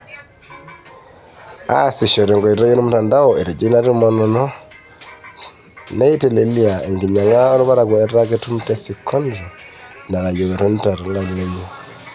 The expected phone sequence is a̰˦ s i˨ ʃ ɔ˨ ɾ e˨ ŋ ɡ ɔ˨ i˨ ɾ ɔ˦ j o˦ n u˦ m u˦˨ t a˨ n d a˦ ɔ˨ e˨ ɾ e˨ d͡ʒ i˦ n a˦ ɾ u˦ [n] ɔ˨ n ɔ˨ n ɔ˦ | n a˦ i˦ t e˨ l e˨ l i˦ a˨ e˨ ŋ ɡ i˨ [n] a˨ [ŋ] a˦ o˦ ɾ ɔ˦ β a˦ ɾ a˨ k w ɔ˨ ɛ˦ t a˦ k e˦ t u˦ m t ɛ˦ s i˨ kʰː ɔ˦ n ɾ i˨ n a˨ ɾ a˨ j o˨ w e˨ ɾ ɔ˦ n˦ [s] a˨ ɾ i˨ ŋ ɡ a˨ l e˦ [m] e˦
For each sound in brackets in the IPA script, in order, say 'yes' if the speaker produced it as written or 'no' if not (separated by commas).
no, no, yes, no, no